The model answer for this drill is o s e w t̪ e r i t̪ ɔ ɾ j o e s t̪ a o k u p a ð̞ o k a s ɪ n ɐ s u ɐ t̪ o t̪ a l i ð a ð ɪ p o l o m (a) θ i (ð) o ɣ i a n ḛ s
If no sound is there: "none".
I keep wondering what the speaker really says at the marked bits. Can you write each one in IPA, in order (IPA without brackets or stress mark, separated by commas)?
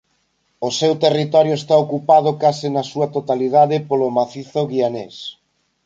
a, θ